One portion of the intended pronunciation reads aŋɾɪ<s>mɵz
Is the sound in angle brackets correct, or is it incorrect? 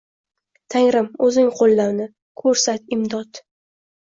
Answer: incorrect: none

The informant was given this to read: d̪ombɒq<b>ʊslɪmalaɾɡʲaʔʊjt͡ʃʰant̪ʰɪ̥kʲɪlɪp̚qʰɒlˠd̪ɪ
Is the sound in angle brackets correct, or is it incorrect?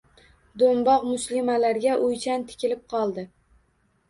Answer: incorrect: m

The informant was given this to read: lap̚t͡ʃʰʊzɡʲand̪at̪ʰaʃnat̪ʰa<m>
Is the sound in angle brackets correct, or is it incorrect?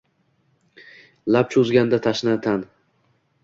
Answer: incorrect: n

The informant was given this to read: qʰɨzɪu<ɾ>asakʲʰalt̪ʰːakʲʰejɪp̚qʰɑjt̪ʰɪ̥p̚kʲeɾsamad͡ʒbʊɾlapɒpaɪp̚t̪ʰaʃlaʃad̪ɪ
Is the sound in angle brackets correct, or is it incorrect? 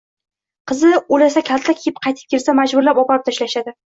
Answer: incorrect: l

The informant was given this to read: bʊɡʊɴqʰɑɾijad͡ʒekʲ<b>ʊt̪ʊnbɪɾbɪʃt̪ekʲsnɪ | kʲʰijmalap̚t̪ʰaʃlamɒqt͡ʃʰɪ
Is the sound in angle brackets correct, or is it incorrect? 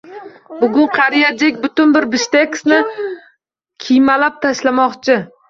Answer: correct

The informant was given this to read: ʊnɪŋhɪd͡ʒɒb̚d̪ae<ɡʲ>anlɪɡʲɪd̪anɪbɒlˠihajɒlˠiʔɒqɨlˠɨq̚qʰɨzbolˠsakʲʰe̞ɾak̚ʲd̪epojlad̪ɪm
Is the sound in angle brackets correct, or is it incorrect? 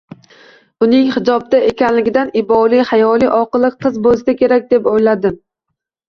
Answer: incorrect: kʲ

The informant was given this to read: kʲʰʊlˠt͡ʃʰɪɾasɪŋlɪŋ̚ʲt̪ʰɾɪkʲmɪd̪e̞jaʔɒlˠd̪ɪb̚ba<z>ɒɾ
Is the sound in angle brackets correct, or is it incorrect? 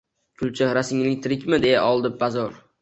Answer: correct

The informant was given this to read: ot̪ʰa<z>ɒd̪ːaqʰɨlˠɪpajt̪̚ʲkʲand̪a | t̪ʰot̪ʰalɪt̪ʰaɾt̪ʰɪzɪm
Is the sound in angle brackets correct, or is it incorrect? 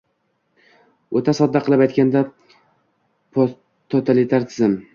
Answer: incorrect: s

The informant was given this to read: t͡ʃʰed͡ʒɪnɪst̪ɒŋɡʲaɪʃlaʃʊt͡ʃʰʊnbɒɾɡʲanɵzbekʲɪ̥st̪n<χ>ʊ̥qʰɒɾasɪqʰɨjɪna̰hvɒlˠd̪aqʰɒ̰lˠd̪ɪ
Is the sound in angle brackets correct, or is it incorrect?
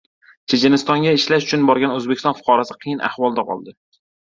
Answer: incorrect: f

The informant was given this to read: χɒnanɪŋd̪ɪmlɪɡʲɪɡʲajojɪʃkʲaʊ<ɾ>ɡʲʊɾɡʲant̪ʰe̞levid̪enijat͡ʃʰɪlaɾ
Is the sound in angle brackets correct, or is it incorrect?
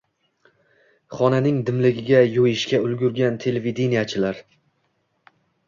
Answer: incorrect: l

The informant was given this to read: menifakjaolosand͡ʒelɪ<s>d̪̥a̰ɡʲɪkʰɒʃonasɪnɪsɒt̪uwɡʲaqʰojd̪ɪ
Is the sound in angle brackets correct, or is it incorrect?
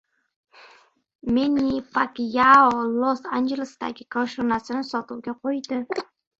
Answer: correct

